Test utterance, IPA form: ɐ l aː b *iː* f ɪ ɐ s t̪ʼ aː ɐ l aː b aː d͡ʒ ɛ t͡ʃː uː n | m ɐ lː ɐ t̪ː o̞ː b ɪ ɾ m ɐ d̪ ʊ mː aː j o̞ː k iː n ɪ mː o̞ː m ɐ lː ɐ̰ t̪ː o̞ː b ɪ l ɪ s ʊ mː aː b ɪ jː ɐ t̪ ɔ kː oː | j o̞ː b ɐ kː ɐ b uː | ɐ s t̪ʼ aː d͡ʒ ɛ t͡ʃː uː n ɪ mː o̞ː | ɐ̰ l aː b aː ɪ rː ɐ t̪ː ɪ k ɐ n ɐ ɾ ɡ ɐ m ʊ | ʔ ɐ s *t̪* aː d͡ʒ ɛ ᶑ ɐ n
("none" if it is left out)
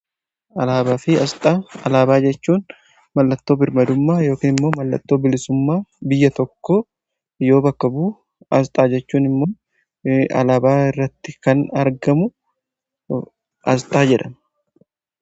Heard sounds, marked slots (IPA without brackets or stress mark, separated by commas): aː, t̪ʼ